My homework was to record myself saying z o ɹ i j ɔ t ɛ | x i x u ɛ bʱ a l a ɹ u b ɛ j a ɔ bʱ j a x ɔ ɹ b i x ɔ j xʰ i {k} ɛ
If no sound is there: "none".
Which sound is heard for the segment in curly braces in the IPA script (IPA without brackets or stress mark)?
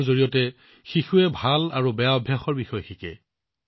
k